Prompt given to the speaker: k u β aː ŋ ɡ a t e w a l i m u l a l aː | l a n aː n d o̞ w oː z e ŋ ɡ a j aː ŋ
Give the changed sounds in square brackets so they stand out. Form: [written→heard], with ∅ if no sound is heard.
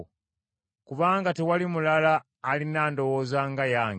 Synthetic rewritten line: k u β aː ŋ ɡ a t e w a l i m u l a l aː | l [a→i] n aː n d o̞ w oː z [e→a] ŋ ɡ a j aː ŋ